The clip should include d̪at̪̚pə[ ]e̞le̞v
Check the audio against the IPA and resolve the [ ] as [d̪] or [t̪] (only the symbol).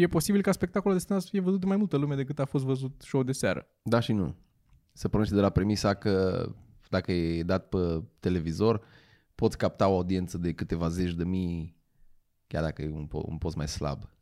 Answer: t̪